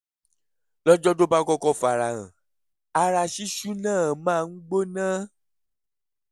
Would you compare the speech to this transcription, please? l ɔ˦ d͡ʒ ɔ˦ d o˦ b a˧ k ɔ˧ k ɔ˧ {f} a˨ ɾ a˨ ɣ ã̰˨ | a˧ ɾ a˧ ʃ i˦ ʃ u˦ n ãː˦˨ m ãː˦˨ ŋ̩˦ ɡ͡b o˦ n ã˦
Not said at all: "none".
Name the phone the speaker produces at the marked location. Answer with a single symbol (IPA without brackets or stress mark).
f